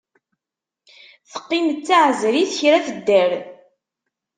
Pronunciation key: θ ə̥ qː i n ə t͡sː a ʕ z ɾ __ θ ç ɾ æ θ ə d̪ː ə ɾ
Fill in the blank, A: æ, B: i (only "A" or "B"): B